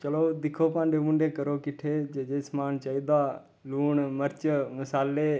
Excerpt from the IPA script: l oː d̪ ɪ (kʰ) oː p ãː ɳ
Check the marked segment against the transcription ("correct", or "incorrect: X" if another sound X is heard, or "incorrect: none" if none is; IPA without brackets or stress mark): correct